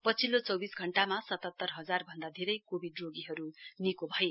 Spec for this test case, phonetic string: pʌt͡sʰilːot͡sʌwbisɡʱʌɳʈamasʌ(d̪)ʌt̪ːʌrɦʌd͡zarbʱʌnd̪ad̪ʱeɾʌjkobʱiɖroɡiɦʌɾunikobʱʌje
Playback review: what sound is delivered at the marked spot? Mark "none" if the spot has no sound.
t̪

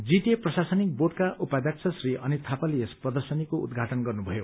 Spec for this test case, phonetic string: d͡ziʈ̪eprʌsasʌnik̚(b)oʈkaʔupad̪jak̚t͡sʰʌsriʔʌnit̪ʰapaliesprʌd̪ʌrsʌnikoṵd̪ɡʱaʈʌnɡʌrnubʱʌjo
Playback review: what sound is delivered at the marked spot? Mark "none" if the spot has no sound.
b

